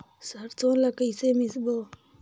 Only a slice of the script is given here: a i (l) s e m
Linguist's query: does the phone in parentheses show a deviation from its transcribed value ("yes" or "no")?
yes